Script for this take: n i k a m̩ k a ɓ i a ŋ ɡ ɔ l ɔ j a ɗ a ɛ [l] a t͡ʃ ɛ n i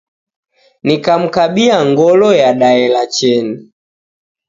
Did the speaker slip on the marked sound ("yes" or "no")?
no